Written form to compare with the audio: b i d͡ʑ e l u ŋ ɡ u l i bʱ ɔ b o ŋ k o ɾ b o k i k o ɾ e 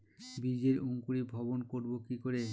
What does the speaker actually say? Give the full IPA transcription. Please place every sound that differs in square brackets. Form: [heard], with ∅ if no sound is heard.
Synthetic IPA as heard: b i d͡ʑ e [ɾ] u ŋ [k] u [ɾ] i bʱ ɔ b o [n] k o ɾ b o k i k o ɾ e

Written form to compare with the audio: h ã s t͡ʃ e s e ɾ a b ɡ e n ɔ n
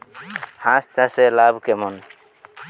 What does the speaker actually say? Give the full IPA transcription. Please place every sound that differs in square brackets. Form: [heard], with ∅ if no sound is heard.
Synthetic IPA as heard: h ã s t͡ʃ [a] s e [l] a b [k] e [m] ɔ n

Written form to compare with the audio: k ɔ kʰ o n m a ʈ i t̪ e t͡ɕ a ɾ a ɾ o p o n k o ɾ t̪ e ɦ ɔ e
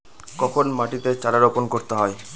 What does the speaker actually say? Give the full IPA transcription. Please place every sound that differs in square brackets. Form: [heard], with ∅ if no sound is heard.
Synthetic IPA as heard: k ɔ kʰ o n m a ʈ i t̪ e t͡ɕ a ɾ a ɾ o p o n k o ɾ t̪ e ɦ ɔ e

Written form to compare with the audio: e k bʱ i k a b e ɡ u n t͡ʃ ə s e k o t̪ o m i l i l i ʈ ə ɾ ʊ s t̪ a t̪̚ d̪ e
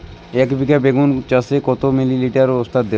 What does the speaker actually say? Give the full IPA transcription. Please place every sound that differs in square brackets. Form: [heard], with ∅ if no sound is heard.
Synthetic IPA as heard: e k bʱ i k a b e ɡ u n t͡ʃ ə s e k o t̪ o m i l i l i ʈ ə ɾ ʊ s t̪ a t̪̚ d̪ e

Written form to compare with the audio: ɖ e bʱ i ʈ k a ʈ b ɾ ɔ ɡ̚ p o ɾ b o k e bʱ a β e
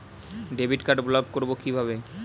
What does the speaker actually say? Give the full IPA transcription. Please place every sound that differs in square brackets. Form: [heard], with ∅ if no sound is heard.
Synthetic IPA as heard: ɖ e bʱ i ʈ k a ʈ b [l] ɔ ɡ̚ [k] o ɾ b o k [i] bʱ a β e

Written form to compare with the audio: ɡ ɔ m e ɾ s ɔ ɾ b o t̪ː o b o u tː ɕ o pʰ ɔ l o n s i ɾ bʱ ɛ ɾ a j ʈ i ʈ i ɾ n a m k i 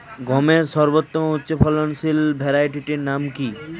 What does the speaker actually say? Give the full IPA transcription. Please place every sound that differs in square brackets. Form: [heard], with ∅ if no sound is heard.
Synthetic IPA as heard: ɡ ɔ m e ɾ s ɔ ɾ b o t̪ː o [m] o u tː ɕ o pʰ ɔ l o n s i [l] bʱ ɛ ɾ a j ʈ i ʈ i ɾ n a m k i

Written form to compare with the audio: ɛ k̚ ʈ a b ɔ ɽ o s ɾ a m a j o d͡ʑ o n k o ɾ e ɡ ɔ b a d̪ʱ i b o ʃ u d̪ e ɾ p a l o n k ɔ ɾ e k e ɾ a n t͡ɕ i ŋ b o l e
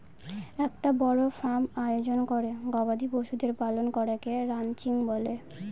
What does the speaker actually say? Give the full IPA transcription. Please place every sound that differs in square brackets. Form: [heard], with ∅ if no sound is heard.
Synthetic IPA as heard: ɛ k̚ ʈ a b ɔ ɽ o [f] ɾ a m a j o d͡ʑ o n k o ɾ e ɡ ɔ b a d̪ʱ i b o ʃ u d̪ e ɾ p a l o n k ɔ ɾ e k e ɾ a n t͡ɕ i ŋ b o l e

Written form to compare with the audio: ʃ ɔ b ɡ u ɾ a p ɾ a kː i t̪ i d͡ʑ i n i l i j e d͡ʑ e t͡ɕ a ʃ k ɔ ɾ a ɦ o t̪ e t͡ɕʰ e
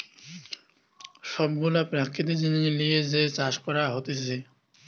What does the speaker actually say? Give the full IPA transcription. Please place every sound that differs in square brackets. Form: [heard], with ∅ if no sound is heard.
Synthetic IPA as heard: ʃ ɔ b ɡ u [l] a p ɾ a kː i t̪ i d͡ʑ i n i l i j e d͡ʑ e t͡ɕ a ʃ k ɔ ɾ a ɦ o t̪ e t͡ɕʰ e

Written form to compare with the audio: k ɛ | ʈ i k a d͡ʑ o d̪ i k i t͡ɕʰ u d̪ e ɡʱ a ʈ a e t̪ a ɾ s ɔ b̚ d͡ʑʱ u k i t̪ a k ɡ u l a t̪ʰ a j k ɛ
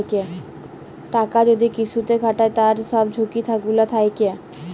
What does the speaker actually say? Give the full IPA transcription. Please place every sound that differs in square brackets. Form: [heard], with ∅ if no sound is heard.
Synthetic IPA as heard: k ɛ | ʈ [a] k a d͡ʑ o d̪ i k i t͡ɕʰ u [t̪] e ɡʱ a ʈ a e t̪ a ɾ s ɔ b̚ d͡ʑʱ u k i [t̪ʰ] a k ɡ u l a t̪ʰ a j k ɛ

